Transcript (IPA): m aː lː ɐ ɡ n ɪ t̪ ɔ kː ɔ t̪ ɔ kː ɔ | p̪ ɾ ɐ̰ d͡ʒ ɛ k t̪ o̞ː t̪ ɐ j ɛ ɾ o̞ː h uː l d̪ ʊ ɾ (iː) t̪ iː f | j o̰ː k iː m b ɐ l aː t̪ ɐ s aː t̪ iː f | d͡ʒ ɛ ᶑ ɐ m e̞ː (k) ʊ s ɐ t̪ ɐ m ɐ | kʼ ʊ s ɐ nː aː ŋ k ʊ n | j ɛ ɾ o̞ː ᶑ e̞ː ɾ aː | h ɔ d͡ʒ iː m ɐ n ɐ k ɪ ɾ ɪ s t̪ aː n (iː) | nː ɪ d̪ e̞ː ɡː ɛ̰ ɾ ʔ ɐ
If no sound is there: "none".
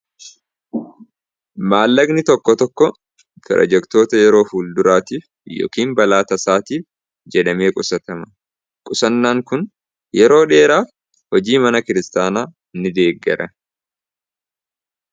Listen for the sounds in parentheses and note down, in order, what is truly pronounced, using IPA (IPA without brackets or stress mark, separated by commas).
aː, kʼ, aː